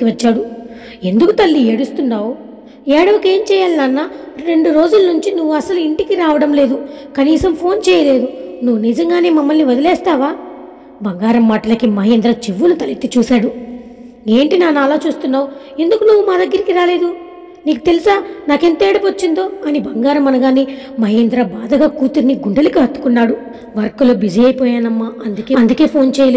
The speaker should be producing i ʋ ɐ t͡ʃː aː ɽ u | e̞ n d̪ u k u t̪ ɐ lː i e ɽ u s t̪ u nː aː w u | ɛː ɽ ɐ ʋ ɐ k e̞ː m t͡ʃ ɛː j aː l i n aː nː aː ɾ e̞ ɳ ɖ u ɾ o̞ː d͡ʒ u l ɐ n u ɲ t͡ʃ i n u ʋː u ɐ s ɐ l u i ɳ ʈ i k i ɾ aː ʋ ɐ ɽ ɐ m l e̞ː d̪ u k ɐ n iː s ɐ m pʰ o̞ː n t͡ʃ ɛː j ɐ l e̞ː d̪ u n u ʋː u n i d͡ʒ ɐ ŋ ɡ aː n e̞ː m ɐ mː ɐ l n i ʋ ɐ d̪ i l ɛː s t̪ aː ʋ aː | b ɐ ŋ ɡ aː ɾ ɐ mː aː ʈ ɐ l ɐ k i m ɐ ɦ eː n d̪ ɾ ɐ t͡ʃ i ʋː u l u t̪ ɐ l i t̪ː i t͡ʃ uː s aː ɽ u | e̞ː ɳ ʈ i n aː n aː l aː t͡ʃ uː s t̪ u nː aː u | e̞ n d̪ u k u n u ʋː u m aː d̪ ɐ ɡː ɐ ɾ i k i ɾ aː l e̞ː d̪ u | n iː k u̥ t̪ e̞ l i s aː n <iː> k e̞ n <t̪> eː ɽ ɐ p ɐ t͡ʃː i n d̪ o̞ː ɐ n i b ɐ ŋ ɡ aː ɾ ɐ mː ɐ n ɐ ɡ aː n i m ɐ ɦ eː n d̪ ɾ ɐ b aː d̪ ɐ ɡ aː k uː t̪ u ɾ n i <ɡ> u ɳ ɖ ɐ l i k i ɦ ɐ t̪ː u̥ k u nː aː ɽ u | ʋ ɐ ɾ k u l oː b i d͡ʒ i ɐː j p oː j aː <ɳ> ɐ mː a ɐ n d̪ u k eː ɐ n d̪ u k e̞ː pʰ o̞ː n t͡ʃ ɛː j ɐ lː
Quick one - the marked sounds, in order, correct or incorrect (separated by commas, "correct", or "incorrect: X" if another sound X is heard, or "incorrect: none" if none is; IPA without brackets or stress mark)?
incorrect: aː, correct, correct, incorrect: n